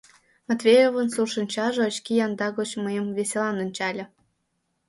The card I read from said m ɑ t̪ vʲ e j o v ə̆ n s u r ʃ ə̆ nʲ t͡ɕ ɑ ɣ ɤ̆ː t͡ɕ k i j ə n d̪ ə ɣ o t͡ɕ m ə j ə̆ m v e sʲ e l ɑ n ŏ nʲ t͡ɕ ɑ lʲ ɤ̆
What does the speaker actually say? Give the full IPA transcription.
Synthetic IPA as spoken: m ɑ t̪ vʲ e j o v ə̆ n s u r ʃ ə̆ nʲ t͡ɕ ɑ ʒ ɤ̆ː t͡ɕ k i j ɑ n d̪ ɑ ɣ o t͡ɕ m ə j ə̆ m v e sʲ e l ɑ n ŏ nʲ t͡ɕ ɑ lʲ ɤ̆